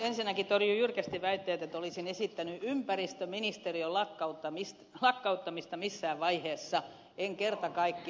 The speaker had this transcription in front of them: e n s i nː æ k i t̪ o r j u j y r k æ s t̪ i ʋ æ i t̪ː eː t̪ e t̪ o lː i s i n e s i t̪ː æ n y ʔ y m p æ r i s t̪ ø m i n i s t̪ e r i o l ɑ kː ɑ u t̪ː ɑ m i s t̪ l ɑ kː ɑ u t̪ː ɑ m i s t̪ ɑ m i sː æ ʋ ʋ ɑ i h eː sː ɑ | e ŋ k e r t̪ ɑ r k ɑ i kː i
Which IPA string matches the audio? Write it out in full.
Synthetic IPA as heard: e n s i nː æ k i t̪ o r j u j y r k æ s t̪ i ʋ æ i t̪ː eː t̪ e t̪ o l i s i n e s i t̪ː æ n y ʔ y m p æ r i s t̪ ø m i n i s t̪ e r i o l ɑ kː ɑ u t̪ː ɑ m i s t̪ l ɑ kː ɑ u t̪ː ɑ m i s t̪ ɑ m i sː æː ʋ ʋ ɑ i h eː sː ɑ | e ŋ k e r t̪ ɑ k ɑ i kː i